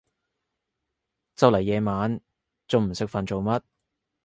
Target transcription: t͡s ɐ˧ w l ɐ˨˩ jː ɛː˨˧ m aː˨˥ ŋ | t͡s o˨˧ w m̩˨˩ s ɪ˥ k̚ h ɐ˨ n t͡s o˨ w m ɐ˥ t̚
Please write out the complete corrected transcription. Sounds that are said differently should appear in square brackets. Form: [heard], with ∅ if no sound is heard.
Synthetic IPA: t͡s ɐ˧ w l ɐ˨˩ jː ɛː˨˧ m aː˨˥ [n] | t͡s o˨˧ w m̩˨˩ s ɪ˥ k̚ [f] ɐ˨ n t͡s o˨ w m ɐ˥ t̚